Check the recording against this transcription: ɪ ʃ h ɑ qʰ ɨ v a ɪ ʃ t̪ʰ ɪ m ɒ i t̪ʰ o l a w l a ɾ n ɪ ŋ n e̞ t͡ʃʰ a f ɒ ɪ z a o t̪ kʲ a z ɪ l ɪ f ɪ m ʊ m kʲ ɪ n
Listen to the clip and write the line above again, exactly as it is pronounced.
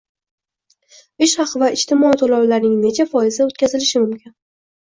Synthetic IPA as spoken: ɪ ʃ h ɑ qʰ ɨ v a ɪ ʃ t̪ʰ ɪ m ɒ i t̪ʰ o l a w l a ɾ n ɪ ŋ n e̞ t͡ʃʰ a f ɒ ɪ z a o t̪ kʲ a z ɪ l ɪ ʃ ɪ m ʊ m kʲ ɪ n